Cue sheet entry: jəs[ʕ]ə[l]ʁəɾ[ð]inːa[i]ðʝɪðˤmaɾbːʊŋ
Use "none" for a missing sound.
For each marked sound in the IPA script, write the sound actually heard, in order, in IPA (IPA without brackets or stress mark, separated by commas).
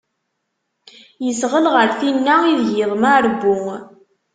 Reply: ʁ, l, θ, i